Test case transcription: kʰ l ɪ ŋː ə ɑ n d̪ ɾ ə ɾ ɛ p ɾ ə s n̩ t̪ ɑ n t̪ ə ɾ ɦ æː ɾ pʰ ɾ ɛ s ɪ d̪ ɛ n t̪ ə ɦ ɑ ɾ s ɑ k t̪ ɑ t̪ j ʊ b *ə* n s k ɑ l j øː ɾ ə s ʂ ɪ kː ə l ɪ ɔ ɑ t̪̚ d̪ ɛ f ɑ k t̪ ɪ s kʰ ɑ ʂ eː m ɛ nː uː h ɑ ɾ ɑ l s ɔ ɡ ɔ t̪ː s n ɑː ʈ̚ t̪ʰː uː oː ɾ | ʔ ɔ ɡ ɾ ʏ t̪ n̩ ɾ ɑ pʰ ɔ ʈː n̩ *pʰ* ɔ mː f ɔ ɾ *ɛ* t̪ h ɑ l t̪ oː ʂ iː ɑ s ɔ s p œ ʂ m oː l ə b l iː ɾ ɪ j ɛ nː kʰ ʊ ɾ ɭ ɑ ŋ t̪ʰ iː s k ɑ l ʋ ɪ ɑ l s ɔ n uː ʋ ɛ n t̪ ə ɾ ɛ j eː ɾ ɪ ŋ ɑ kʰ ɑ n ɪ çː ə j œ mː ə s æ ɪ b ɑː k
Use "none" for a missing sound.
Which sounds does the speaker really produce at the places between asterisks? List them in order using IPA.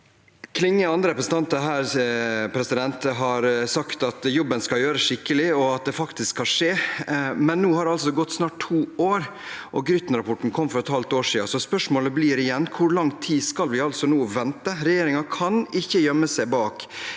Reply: ə, kʰ, ɛ

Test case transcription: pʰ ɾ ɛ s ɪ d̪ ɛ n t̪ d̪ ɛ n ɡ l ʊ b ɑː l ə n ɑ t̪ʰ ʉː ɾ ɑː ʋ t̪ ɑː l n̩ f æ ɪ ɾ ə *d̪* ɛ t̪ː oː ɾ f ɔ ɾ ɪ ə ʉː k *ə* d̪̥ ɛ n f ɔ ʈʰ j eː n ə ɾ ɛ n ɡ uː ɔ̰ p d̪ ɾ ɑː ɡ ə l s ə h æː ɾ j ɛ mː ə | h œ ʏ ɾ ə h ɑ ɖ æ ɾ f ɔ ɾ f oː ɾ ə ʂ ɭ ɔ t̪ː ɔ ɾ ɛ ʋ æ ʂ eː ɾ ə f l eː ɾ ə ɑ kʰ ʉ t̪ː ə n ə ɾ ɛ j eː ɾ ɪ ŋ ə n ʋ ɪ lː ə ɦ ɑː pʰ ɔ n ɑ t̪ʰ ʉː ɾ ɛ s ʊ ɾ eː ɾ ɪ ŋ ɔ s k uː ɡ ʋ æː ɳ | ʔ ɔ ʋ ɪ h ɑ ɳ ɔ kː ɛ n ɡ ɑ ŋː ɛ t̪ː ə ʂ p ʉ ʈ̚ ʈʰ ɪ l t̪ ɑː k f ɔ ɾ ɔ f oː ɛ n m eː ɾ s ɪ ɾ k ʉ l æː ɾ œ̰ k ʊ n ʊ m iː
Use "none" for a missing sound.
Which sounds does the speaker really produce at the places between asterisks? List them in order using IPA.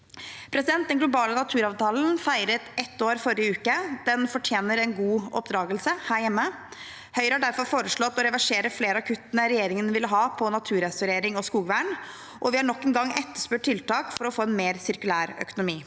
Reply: t̪, ə

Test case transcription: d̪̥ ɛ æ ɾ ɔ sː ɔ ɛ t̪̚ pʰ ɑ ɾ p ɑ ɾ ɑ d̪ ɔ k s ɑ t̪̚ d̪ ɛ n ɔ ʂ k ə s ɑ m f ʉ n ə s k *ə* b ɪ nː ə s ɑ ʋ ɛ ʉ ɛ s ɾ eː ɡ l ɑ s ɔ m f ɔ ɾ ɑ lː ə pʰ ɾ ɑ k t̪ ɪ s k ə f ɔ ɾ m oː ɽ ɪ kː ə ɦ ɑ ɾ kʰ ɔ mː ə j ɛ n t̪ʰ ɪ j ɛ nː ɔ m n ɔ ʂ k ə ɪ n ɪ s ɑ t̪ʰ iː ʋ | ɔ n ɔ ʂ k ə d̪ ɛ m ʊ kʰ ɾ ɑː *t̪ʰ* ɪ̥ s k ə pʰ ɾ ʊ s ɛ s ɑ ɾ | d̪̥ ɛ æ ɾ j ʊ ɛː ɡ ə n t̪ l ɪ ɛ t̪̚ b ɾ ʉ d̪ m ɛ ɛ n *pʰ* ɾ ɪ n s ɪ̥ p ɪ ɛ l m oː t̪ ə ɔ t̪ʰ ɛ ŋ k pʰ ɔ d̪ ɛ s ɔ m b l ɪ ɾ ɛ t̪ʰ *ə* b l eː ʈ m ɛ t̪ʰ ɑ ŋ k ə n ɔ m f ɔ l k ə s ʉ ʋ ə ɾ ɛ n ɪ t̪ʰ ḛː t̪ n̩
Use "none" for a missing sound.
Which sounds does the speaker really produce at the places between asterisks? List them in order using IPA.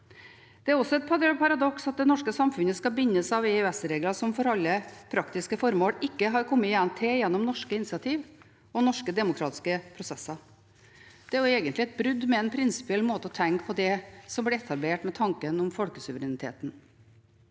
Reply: ɑ, t̪, pʰ, ɑ

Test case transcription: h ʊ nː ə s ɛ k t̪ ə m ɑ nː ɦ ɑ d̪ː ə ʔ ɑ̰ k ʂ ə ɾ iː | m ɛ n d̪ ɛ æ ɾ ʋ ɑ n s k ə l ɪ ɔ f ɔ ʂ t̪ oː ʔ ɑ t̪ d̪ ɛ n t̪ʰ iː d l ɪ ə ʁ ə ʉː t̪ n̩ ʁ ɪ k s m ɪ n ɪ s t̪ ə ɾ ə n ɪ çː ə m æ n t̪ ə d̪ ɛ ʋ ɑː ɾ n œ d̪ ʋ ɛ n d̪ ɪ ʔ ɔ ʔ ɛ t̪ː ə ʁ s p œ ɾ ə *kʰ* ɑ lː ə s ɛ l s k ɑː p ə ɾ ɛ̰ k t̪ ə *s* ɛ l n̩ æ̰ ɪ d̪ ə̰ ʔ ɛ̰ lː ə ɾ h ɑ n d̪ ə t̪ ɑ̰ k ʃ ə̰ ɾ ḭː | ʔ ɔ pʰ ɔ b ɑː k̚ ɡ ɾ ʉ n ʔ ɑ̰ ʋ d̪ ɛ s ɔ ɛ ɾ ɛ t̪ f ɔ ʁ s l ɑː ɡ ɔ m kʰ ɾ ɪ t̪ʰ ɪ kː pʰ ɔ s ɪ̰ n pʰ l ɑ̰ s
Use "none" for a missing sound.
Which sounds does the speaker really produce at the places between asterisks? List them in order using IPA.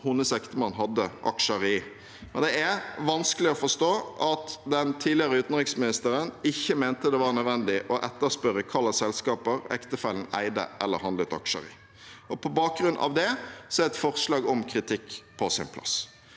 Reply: kʰ, f

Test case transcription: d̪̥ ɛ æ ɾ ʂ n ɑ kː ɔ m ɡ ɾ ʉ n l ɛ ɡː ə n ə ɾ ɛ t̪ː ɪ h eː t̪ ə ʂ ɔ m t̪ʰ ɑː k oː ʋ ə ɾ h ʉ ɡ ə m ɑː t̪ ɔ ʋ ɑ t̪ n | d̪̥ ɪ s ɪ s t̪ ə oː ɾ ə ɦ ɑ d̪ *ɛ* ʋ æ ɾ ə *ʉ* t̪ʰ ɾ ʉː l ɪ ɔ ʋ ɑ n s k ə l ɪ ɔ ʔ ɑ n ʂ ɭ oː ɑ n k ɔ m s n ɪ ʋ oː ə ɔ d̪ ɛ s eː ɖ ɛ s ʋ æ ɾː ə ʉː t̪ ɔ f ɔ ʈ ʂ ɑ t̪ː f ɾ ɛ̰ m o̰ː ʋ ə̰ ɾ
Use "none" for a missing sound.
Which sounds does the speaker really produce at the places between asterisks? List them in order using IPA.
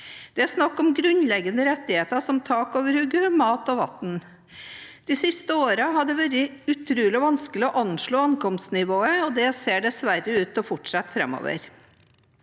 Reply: ɛ, ʉ

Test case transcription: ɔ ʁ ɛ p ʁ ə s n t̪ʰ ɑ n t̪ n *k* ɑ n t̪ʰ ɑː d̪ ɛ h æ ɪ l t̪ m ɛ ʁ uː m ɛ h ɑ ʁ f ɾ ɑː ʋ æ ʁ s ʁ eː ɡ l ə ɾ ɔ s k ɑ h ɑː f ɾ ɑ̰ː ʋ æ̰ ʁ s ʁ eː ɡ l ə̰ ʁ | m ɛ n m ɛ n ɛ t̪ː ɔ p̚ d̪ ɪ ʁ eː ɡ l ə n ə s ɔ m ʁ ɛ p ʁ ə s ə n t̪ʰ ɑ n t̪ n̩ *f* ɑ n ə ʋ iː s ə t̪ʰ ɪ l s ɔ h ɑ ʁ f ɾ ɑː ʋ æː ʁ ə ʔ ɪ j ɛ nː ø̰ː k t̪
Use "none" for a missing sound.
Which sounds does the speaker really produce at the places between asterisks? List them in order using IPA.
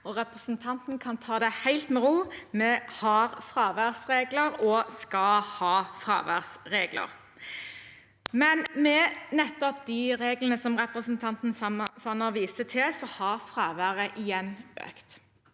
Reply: kʰ, s

